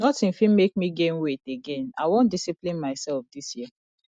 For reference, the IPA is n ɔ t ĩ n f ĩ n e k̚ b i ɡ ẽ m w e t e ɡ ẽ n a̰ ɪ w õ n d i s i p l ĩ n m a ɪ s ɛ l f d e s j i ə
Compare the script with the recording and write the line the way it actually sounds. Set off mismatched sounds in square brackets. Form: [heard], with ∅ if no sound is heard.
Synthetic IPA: n ɔ t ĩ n f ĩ [m] e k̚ [m] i ɡ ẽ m w e t e ɡ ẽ n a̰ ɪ w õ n d i s i p l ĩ n m a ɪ s ɛ l f d [i] s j i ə